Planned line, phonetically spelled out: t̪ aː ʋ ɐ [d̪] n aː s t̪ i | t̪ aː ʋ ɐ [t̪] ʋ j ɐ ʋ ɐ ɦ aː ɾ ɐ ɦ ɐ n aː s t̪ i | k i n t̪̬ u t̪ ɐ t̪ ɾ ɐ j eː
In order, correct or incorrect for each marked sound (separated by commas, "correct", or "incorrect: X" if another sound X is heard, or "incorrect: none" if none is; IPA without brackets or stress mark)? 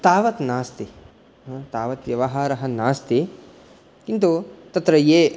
incorrect: t̪, correct